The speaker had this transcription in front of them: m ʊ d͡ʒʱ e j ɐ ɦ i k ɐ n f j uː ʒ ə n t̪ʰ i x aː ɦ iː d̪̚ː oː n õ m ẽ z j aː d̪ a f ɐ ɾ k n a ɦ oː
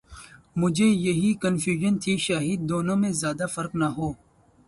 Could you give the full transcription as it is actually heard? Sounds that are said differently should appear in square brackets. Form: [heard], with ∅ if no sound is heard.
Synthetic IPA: m ʊ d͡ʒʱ e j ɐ ɦ i k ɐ n f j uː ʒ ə n t̪ʰ i [ʃ] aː ɦ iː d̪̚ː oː n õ m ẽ z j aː d̪ a f ɐ ɾ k n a ɦ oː